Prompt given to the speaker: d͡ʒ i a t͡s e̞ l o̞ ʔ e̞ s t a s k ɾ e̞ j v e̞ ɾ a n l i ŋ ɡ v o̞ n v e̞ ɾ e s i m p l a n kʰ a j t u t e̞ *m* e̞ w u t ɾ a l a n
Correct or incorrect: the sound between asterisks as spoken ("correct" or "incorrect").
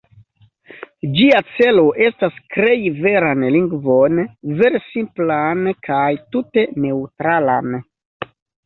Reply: incorrect